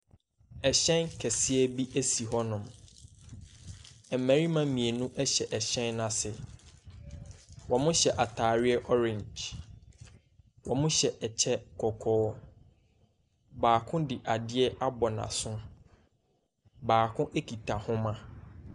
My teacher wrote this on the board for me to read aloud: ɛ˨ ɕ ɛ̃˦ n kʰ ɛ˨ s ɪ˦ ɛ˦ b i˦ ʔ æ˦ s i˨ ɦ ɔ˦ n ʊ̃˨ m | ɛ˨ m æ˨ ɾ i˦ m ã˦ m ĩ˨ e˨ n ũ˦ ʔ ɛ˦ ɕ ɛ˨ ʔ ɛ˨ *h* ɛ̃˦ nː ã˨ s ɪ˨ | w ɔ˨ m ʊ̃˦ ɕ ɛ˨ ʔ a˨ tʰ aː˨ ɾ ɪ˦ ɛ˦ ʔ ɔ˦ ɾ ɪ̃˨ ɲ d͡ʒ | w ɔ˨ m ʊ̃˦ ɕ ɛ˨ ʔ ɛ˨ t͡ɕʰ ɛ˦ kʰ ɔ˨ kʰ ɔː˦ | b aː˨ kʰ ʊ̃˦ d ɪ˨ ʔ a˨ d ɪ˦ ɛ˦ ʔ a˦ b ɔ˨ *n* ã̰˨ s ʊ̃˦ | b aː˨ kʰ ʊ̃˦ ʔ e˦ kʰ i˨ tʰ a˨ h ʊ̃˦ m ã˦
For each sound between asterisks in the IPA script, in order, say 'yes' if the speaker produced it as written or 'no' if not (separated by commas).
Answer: no, yes